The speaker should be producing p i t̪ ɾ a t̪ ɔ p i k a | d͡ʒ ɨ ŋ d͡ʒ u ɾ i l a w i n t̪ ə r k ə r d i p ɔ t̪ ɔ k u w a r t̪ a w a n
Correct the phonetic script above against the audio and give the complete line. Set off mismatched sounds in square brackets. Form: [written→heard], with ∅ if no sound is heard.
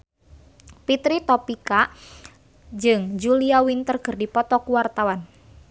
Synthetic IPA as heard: p i t̪ ɾ [a→i] t̪ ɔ p i k a | d͡ʒ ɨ ŋ d͡ʒ u [ɾ→l] i [l→∅] a w i n t̪ ə r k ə r d i p ɔ t̪ ɔ k u w a r t̪ a w a n